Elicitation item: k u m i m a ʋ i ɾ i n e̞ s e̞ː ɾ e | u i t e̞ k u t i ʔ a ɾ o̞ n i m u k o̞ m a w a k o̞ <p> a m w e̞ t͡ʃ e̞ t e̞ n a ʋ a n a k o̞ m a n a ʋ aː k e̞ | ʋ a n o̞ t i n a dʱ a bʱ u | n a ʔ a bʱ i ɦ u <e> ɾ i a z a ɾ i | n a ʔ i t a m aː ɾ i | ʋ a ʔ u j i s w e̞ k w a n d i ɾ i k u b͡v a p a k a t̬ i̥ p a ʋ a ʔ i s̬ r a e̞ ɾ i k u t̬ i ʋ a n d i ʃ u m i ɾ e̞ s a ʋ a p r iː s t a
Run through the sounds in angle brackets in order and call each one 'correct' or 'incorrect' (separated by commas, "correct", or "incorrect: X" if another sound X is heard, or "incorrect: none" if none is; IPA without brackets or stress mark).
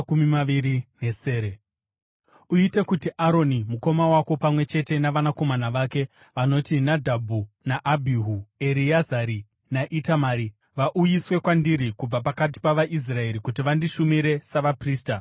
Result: correct, correct